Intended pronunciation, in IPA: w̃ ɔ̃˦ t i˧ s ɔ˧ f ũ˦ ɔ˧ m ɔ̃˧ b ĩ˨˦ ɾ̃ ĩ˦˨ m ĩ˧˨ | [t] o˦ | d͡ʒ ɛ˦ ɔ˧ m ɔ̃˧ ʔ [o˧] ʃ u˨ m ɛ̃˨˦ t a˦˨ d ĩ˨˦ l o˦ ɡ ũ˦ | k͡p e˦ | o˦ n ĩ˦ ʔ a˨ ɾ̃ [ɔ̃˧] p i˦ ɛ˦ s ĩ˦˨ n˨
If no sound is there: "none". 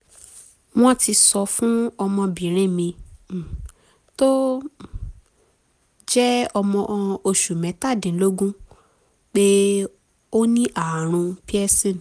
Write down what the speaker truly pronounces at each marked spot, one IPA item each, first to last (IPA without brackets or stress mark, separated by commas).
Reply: t, o˧, ũ˧